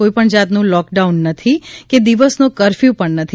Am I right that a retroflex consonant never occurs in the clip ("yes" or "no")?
no